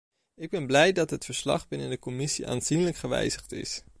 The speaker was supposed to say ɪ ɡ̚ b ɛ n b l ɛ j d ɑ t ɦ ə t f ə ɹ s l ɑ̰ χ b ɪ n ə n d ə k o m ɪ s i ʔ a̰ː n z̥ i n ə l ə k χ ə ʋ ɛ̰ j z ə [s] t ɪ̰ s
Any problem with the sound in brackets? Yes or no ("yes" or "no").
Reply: yes